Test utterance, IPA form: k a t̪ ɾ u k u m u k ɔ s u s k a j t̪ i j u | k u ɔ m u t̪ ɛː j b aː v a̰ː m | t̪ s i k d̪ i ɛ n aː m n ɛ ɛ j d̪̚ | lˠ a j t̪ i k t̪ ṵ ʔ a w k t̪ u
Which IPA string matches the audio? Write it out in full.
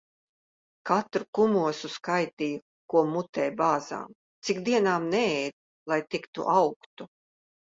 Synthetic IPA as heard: k a t̪ ɾ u k u m u ɔ s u s k a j t̪ i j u | k u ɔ m u t̪ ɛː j b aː z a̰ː m | t̪ s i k d̪ i ɛ n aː m n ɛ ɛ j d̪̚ | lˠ a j t̪ i k t̪ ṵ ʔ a w k t̪ u